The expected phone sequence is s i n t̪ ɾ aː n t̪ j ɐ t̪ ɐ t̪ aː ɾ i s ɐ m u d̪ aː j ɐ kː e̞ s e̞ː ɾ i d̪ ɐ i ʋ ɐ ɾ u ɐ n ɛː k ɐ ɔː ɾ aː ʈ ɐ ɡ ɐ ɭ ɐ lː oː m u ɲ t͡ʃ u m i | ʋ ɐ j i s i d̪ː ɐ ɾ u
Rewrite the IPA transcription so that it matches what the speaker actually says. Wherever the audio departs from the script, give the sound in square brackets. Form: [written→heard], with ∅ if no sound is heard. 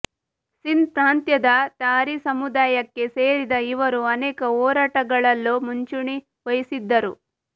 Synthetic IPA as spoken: s i n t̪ ɾ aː n t̪ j ɐ [t̪→d̪] ɐ t̪ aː ɾ i s ɐ m u d̪ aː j ɐ kː e̞ s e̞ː ɾ i d̪ ɐ i ʋ ɐ ɾ u ɐ n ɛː k ɐ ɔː ɾ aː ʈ ɐ ɡ ɐ ɭ ɐ lː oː m u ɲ t͡ʃ u [m→ɳ] i | ʋ ɐ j i s i d̪ː ɐ ɾ u